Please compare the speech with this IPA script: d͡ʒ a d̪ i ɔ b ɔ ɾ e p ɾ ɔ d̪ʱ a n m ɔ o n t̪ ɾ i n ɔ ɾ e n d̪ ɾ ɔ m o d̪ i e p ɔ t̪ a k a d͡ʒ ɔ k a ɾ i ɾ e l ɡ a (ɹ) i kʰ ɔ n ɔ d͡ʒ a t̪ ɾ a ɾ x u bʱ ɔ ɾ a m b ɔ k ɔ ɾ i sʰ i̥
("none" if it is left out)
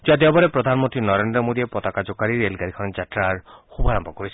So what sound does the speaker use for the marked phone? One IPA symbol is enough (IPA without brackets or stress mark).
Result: ɾ